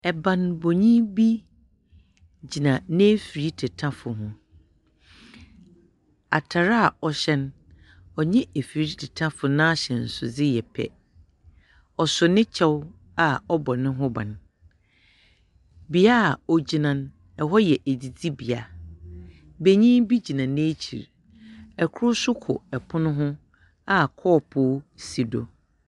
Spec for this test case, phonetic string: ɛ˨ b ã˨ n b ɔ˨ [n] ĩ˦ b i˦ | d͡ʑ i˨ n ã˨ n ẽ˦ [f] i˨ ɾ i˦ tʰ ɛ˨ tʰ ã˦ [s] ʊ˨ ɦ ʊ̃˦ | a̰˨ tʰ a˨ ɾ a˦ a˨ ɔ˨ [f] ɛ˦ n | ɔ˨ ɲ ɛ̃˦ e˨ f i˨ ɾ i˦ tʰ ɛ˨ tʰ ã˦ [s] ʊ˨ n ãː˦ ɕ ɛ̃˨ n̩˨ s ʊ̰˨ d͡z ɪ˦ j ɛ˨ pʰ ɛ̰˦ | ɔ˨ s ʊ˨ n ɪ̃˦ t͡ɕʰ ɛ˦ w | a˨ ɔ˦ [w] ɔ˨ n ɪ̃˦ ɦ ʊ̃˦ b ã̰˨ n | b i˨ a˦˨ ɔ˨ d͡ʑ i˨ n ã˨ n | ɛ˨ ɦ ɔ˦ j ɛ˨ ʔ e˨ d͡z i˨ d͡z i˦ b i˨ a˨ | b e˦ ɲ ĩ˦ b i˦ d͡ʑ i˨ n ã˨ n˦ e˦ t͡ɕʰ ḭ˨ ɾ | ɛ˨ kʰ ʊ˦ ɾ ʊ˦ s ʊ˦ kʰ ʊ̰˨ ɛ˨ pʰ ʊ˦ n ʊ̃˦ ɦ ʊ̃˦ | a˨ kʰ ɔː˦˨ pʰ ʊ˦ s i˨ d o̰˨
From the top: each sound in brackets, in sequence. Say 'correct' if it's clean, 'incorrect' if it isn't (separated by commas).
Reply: incorrect, correct, incorrect, incorrect, incorrect, incorrect